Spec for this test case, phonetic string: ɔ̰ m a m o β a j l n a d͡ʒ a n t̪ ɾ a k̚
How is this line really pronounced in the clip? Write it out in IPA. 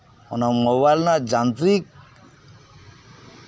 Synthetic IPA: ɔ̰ n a m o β a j l n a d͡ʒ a n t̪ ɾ i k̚